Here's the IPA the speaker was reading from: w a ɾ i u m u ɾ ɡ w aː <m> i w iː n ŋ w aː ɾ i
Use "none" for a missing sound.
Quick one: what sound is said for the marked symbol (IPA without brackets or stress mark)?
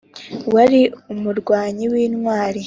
ɲ